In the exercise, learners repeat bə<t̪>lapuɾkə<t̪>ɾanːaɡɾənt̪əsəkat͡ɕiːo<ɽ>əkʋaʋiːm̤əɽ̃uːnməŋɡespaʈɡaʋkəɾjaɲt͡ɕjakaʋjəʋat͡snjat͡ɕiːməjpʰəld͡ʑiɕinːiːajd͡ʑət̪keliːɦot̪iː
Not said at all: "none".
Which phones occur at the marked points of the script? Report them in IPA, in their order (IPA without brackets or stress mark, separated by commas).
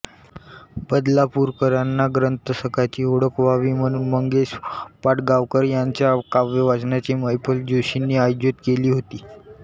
d̪, none, ɽ